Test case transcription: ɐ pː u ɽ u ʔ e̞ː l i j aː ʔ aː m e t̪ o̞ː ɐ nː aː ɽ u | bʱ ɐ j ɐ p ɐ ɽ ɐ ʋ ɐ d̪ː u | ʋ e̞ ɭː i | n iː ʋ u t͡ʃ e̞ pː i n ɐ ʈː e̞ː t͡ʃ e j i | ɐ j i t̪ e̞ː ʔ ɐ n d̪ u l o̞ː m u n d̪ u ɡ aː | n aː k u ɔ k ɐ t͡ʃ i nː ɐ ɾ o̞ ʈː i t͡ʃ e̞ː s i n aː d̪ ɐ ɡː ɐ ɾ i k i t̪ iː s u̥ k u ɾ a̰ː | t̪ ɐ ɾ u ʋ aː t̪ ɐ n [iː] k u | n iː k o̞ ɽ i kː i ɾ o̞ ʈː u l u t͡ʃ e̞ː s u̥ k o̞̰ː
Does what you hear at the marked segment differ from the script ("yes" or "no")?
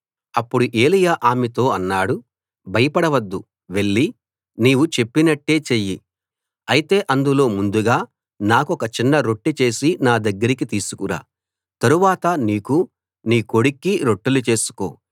no